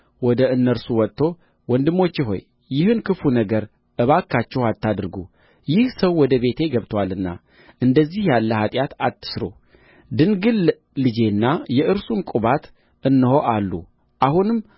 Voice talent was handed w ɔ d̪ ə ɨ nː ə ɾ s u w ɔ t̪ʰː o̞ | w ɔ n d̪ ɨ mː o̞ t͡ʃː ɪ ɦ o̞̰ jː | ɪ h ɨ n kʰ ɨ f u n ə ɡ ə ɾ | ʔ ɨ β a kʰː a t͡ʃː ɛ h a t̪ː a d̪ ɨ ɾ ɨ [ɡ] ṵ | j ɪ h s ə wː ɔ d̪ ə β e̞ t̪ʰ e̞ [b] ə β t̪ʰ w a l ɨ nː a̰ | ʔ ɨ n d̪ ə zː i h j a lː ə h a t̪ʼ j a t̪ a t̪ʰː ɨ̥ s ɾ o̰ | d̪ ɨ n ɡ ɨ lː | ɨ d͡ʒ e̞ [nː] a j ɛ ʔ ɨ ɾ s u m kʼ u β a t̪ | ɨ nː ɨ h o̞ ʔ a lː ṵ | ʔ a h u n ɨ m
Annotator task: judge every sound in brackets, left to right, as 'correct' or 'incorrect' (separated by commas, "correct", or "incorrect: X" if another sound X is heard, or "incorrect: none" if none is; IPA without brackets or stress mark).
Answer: correct, incorrect: ɡ, correct